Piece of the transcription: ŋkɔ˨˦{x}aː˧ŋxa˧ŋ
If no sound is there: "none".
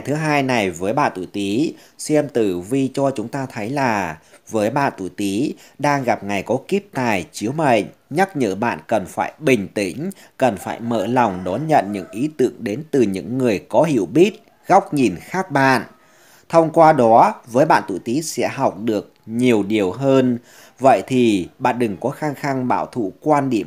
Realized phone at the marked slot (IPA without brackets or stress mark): x